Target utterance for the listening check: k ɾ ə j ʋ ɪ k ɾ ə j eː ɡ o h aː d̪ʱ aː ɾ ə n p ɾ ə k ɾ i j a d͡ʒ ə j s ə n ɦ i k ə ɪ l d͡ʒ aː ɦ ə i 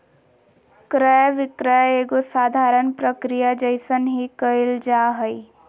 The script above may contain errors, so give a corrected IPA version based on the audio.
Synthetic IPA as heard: k ɾ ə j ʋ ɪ k ɾ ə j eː ɡ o s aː d̪ʱ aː ɾ ə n p ɾ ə k ɾ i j a d͡ʒ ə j s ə n ɦ i k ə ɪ l d͡ʒ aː ɦ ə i